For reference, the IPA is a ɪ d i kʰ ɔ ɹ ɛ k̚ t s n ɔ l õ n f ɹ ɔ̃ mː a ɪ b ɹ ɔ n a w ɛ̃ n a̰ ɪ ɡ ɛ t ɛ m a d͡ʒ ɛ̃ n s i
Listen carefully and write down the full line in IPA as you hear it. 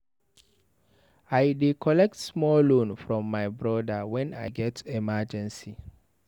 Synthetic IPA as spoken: a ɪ d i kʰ ɔ l ɛ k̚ t s m ɔ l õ n f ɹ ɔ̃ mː a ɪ b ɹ ɔ d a w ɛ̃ n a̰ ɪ ɡ ɛ t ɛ m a d͡ʒ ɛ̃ n s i